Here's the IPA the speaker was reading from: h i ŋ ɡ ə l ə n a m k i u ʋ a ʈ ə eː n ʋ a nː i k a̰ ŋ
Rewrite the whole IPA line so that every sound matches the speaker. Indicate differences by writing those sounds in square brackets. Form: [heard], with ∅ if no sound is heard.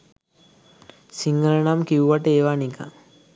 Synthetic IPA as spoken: [s] i ŋ ɡ ə l ə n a m k i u ʋ a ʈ ə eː [∅] ʋ a [n] i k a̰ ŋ